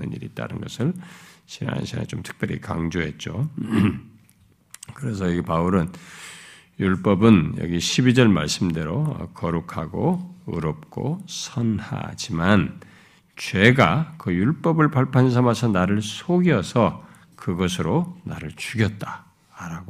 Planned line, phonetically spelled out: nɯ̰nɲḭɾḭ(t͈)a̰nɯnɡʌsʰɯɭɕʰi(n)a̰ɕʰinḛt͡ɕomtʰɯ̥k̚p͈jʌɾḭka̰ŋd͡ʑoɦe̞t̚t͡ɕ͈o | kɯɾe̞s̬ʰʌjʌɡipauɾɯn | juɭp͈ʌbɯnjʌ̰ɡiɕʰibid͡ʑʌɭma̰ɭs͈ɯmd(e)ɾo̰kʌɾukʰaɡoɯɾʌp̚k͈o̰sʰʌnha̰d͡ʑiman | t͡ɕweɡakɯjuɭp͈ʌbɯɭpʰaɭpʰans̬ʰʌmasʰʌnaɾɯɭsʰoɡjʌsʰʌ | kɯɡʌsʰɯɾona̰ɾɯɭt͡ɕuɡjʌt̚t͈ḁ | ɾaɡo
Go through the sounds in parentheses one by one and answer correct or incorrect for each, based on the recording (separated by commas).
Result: correct, correct, correct